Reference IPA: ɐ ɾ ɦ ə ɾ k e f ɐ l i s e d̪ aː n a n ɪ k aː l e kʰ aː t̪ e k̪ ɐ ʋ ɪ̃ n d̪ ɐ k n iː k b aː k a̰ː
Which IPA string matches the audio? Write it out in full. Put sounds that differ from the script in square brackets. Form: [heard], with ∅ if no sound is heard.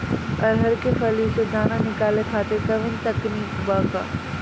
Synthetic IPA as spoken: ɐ ɾ ɦ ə ɾ k e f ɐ l i s e d̪ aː n a n ɪ k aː l e kʰ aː t̪ e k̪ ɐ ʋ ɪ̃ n [t̪] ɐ k n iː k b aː k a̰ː